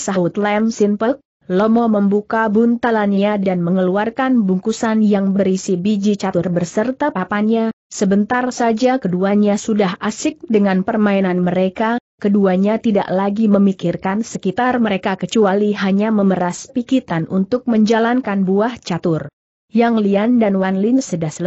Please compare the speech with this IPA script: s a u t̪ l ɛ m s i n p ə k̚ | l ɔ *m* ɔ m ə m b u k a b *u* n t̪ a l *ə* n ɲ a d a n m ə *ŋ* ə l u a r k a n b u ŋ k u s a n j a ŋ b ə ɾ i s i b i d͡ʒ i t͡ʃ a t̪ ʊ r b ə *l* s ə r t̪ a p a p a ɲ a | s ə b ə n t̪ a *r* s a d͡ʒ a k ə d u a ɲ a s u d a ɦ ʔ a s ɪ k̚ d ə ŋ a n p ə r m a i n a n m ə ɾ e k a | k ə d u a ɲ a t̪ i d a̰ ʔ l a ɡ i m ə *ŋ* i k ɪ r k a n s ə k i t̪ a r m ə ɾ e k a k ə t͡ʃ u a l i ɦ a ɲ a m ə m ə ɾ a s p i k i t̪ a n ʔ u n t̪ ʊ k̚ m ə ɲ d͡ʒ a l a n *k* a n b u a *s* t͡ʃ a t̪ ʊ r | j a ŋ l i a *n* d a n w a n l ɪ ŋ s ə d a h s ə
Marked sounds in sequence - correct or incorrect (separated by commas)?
correct, correct, incorrect, correct, incorrect, correct, incorrect, correct, incorrect, correct